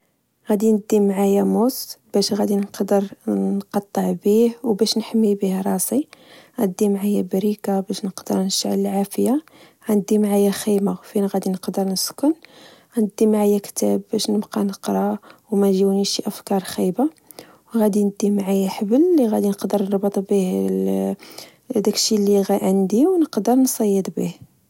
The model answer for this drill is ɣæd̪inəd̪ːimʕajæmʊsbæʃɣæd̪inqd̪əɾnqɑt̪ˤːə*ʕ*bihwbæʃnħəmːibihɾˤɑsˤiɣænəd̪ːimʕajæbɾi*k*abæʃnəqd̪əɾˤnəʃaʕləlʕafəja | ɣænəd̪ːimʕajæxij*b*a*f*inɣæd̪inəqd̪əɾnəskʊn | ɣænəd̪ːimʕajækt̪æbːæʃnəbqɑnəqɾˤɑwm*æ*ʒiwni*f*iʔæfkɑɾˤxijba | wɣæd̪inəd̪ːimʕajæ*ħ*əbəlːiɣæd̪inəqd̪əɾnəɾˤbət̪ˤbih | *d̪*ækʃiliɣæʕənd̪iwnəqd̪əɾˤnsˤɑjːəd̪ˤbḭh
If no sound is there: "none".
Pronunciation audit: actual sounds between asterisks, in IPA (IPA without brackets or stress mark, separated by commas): ʕ, k, m, f, æ, ʃ, ħ, d̪